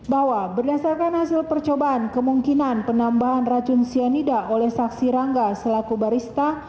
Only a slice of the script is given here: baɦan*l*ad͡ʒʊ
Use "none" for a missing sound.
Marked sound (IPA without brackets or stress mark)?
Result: r